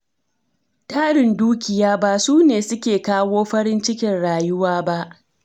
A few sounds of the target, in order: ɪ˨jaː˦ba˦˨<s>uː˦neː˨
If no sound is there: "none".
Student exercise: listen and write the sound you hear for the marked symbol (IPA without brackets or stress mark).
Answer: s